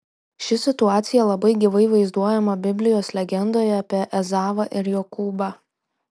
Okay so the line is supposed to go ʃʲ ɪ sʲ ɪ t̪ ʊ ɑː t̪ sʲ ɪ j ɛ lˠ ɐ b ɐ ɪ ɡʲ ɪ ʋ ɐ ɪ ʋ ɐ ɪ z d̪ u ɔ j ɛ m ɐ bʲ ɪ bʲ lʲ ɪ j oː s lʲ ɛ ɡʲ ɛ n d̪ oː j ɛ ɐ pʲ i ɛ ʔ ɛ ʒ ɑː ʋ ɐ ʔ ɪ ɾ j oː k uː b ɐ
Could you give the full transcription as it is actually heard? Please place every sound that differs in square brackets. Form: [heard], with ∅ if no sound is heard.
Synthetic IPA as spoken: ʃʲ ɪ sʲ ɪ t̪ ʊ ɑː t̪ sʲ ɪ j ɛ lˠ ɐ b ɐ ɪ ɡʲ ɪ ʋ ɐ ɪ ʋ ɐ ɪ z d̪ u ɔ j ɛ m ɐ bʲ ɪ bʲ lʲ ɪ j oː s lʲ ɛ ɡʲ ɛ n d̪ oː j ɛ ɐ pʲ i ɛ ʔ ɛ [z] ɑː ʋ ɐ ʔ ɪ ɾ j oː k uː b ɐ